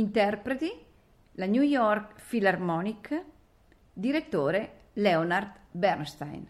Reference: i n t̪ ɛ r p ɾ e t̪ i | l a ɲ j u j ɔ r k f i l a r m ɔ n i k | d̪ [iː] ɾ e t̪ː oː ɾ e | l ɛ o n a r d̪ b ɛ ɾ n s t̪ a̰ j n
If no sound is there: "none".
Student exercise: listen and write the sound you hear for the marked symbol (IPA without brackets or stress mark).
i